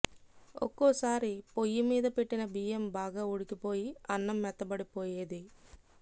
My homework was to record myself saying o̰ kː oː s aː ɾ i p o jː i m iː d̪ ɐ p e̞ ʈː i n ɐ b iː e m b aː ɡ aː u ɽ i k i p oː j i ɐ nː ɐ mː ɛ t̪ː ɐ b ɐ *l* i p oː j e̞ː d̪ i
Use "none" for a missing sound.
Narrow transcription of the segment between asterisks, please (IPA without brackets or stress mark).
ɽ